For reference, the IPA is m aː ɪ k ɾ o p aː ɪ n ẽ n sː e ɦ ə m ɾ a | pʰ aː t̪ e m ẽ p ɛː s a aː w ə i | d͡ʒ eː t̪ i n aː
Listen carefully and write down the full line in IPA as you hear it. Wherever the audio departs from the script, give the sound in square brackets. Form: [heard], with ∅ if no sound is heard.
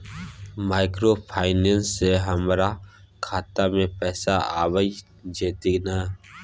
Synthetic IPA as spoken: m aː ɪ k ɾ o [pʰ] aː ɪ n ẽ n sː e ɦ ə m ɾ a | [kʰ] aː t̪ [a] m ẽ p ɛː s a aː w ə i | d͡ʒ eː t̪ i n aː